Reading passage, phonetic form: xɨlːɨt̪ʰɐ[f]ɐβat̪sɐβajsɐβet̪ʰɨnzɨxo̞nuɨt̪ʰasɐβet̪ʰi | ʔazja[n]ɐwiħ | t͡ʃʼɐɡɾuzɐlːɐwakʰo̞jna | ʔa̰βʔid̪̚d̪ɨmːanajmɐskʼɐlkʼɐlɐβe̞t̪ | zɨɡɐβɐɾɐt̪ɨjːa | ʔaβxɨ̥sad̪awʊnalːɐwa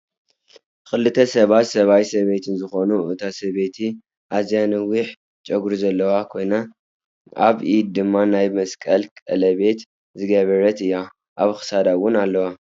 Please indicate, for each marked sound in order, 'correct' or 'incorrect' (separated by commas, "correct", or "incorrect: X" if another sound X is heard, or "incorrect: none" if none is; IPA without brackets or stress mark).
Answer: incorrect: s, correct